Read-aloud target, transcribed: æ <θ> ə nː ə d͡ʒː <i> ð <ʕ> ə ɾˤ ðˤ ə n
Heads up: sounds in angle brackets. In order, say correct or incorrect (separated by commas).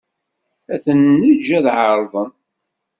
correct, incorrect, correct